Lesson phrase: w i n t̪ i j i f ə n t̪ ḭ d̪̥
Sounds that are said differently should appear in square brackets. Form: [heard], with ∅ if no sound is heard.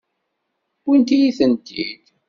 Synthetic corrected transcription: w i n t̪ i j i [θ] ə n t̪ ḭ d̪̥

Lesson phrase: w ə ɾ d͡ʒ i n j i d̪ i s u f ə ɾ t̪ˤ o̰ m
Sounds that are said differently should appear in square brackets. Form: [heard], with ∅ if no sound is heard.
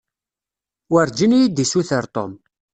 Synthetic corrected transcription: w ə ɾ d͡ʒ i n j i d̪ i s u [θ] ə ɾ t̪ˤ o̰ m

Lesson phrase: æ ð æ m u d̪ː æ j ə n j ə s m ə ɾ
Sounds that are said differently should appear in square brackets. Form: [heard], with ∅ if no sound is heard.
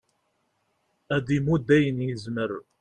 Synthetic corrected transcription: æ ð [i] m u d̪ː æ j ə n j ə [z] m ə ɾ

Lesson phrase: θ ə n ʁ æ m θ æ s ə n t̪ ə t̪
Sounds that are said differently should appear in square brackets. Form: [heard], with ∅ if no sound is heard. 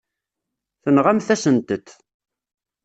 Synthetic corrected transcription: θ ə n ʁ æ m θ æ s ə n t̪ ə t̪

